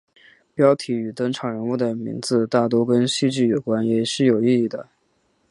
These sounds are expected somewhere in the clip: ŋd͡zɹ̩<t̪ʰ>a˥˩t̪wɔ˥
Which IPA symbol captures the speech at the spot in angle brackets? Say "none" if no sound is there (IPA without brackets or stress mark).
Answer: t̪